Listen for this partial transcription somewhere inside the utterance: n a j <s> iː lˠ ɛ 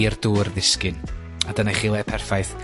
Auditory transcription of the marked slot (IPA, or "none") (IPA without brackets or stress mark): χ